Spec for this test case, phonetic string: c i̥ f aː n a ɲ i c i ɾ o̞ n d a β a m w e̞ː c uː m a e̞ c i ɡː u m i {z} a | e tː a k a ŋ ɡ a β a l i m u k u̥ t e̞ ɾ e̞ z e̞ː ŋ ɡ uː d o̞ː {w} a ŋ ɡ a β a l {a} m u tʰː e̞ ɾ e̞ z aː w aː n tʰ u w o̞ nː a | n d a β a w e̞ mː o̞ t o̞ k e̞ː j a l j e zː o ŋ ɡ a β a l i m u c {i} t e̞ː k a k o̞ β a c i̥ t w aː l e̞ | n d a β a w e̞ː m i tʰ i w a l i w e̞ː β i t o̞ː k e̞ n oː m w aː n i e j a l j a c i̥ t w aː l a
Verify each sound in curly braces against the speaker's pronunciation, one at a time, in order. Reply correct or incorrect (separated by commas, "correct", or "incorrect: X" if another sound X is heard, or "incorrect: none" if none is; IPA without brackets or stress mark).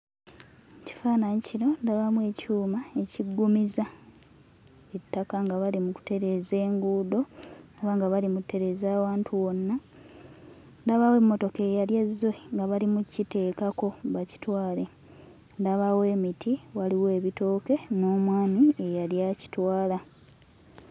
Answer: correct, incorrect: β, incorrect: i, correct